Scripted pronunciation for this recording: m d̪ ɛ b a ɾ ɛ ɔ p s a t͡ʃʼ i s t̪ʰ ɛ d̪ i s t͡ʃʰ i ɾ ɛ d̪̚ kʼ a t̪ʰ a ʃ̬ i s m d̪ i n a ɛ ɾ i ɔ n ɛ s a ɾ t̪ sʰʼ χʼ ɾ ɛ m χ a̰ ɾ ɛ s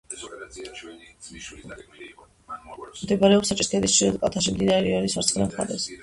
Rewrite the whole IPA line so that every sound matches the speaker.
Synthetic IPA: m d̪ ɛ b a ɾ ɛ ɔ p s a t͡ʃʼ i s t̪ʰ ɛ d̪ i s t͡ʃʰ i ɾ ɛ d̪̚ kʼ a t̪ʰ a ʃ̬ i m d̪ i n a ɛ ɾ i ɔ n i s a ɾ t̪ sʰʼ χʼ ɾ ɛ m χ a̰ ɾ ɛ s